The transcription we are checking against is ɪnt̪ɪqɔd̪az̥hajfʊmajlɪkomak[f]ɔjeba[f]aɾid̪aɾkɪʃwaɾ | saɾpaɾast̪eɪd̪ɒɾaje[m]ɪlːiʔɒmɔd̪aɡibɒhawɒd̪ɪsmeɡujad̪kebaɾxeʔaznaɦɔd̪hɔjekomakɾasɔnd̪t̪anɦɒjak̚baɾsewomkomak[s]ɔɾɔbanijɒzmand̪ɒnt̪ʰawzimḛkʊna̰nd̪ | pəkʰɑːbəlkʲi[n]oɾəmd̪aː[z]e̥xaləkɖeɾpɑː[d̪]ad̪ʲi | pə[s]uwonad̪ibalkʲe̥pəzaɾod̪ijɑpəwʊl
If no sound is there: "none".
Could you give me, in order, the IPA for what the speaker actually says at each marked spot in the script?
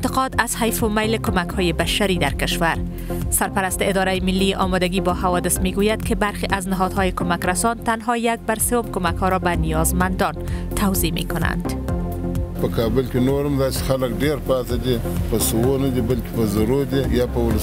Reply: h, ʃ, m, h, n, s, t̪, s

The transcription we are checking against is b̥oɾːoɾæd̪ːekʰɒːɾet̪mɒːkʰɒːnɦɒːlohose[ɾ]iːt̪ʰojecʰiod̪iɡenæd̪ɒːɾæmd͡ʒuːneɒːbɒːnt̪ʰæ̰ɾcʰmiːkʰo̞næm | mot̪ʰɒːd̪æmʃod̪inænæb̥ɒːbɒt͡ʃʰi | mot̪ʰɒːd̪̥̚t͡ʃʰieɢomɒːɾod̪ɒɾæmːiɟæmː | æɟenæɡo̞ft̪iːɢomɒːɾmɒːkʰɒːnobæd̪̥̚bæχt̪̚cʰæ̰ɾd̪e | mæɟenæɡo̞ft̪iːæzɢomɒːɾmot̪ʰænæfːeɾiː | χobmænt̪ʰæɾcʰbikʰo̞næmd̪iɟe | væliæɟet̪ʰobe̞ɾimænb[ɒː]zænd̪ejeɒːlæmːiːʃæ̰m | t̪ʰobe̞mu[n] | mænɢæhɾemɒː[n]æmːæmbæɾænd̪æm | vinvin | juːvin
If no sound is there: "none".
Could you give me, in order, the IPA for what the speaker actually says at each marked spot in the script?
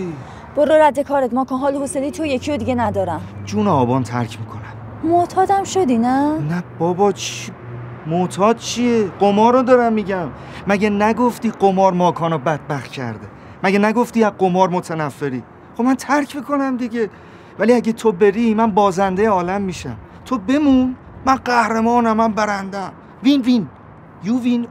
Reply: l, ɒː, n, n

